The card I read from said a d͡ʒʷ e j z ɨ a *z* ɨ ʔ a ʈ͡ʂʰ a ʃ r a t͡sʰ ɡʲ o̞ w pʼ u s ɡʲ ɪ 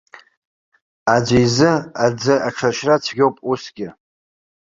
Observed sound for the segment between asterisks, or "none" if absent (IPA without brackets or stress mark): d͡z